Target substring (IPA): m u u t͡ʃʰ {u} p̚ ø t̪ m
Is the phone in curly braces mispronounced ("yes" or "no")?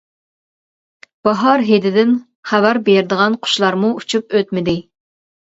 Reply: no